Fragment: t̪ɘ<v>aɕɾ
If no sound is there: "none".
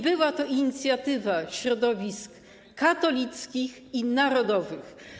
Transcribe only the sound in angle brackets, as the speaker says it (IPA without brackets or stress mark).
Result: v